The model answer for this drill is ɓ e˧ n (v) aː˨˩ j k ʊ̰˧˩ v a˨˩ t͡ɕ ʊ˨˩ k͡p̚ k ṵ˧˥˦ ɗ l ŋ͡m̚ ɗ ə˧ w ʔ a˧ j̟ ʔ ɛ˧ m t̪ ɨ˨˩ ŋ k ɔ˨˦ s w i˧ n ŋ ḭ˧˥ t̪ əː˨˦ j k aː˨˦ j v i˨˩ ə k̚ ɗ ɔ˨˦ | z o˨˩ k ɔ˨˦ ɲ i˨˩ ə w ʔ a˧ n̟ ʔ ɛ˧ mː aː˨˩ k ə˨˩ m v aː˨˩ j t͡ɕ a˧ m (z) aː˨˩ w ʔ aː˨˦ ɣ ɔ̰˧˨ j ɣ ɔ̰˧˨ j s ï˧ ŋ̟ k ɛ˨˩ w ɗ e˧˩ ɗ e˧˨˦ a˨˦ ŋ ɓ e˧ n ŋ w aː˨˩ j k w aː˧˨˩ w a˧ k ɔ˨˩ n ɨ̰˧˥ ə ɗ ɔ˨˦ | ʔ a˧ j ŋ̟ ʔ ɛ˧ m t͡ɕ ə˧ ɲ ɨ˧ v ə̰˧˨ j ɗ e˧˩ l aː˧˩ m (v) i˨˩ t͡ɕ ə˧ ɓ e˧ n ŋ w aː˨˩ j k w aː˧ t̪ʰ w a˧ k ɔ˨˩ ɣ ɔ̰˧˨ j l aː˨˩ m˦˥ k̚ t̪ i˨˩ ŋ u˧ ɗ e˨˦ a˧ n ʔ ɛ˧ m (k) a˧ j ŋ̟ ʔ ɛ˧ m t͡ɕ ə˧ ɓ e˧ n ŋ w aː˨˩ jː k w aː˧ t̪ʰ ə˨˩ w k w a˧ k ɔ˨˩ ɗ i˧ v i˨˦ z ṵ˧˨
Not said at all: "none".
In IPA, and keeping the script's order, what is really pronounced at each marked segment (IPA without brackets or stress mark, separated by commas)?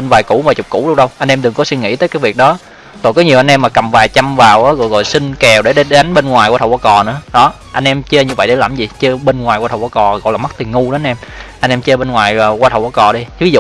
v, v, z, ʔ